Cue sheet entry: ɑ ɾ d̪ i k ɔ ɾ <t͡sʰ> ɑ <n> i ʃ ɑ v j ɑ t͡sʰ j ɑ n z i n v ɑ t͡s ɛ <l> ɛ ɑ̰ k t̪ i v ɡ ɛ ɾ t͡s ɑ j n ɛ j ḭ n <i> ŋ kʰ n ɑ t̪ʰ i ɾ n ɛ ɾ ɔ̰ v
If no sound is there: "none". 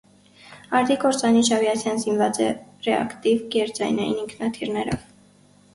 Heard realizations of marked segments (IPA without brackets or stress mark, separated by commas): t͡s, n, r, i